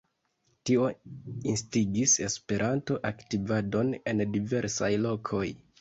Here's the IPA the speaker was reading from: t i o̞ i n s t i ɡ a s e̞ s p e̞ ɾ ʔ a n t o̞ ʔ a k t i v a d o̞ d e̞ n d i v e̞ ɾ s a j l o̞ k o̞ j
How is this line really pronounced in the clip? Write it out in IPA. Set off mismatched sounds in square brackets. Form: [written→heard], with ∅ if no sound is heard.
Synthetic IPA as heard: t i o̞ i n s t i ɡ [a→i] s e̞ s p e̞ ɾ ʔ a n t o̞ ʔ a k t i v a d o̞ [d→n] e̞ n d i v e̞ ɾ s a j l o̞ [k→kʰ] o̞ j